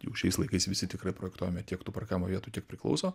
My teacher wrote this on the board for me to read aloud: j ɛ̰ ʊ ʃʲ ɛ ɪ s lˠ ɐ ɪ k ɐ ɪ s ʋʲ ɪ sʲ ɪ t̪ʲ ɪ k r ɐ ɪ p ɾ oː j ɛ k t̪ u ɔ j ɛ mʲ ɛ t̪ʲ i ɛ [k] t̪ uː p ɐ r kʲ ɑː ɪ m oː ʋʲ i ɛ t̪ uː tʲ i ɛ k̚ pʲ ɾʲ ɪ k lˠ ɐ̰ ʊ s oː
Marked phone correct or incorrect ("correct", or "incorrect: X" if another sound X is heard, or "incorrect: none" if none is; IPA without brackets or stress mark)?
correct